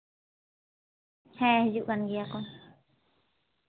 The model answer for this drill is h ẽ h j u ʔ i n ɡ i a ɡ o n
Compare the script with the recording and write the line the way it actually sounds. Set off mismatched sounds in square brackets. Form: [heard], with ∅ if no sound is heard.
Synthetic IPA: h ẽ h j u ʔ [a] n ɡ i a [k] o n

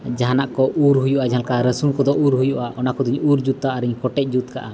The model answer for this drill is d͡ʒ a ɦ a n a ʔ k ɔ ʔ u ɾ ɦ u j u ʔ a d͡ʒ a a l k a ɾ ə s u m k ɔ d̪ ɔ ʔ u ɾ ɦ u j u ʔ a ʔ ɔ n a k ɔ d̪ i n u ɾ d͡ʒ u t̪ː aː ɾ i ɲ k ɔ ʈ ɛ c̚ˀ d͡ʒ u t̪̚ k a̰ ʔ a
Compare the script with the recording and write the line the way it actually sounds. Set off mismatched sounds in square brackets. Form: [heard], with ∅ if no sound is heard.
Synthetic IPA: d͡ʒ a ɦ a n a ʔ k ɔ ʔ u ɾ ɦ u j u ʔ a d͡ʒ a a l k a ɾ ə s u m k ɔ d̪ ɔ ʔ u ɾ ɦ u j u ʔ a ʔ ɔ n a k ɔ d̪ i [ɲ] u ɾ d͡ʒ u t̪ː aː ɾ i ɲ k ɔ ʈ ɛ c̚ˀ d͡ʒ u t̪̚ k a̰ ʔ a

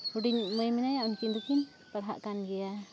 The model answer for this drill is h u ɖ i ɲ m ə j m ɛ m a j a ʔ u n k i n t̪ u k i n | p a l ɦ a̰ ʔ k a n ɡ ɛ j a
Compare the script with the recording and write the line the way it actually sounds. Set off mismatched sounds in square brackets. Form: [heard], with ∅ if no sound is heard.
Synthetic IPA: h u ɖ i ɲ m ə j m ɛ [n] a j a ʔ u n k i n [d̪] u k i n | p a [ɽ] ɦ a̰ ʔ k a n ɡ ɛ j a

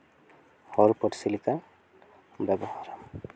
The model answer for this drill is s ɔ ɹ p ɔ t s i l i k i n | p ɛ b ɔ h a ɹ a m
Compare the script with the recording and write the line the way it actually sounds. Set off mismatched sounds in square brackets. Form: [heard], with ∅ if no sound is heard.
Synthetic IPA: [h] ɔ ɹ p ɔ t s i l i k [a] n | [b] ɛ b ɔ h a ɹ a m

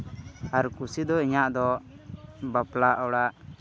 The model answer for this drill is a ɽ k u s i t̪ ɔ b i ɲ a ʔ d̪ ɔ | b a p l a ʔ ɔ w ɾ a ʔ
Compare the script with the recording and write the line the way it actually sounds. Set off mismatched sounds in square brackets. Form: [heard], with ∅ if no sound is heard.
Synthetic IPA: a [ɾ] k u s i [d̪] ɔ [∅] i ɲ a ʔ d̪ ɔ | b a p l a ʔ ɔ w [ɽ] a ʔ

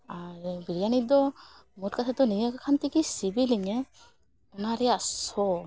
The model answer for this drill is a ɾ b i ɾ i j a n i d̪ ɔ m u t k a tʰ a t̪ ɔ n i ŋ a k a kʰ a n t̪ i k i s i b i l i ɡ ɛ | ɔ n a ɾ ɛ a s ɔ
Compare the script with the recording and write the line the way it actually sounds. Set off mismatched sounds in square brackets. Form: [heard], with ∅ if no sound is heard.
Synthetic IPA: a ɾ b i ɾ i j a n i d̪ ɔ m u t k a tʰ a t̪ ɔ n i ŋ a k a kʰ a n t̪ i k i s i b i l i [ŋ] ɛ | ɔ n a ɾ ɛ a s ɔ

